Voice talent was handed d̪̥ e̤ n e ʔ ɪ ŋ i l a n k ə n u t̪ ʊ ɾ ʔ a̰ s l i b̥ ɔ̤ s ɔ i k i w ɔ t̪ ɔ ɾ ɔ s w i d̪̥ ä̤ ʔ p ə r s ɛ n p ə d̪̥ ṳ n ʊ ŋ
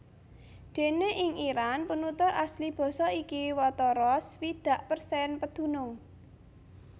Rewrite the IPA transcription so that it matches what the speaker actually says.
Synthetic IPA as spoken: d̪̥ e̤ n e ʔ ɪ ŋ i ɾ a n p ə n u t̪ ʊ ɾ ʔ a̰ s l i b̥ ɔ̤ s ɔ i k i w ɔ t̪ ɔ ɾ ɔ s w i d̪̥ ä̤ ʔ p ə r s ɛ n p ə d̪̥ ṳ n ʊ ŋ